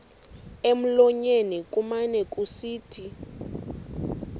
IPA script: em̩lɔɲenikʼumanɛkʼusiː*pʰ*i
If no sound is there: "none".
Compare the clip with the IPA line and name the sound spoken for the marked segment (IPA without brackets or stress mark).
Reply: tʰ